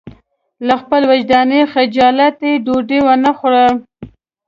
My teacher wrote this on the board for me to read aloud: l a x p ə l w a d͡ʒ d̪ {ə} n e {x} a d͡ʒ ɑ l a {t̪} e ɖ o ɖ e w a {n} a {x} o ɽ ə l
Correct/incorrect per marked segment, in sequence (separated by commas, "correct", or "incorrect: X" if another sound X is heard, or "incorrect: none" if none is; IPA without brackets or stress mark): incorrect: ɑ, correct, correct, correct, correct